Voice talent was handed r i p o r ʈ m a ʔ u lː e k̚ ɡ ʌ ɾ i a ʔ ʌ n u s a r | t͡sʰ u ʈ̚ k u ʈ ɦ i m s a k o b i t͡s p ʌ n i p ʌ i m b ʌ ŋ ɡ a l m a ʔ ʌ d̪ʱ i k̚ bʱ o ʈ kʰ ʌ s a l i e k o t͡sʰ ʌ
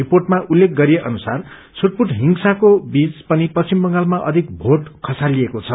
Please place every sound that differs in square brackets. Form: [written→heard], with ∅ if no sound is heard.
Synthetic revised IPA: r i p o r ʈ m a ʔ u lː e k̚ ɡ ʌ ɾ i [a→e] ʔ ʌ n u s a r | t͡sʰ u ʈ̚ [k→p] u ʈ ɦ i [m→ŋ] s a k o b i t͡s p ʌ n i p ʌ i m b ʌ ŋ ɡ a l m a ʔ ʌ d̪ʱ i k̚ bʱ o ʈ kʰ ʌ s a l i e k o t͡sʰ ʌ